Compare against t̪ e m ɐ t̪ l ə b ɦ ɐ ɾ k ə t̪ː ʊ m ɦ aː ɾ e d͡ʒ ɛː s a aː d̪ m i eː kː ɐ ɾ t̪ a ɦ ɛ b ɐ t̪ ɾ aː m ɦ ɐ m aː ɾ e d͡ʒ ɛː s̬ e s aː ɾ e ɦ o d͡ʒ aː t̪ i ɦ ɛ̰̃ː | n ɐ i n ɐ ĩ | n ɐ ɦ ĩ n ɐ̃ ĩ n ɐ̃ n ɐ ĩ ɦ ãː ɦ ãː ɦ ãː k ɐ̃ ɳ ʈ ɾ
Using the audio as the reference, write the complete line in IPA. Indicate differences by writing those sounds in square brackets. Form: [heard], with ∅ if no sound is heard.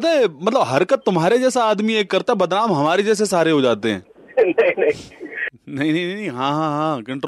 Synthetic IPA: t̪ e m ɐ t̪ l ə b ɦ ɐ ɾ k ə t̪ː ʊ m ɦ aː ɾ e d͡ʒ ɛː s a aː d̪ m i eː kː ɐ ɾ t̪ a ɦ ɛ b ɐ [d̪] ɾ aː m ɦ ɐ m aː ɾ e d͡ʒ ɛː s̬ e s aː ɾ e ɦ o d͡ʒ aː t̪ [e] ɦ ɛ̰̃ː | n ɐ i n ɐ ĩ | n ɐ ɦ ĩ n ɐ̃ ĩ n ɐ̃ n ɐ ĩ ɦ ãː ɦ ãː ɦ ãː k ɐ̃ ɳ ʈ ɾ